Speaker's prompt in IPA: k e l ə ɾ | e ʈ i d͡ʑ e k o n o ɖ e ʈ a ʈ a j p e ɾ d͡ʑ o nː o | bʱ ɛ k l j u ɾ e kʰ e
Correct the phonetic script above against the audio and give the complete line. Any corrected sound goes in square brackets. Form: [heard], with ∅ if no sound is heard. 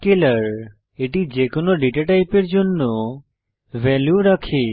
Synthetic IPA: k e l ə ɾ | e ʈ i d͡ʑ e k o n o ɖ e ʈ a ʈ a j p e ɾ d͡ʑ o nː o | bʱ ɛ [∅] l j u ɾ [a] kʰ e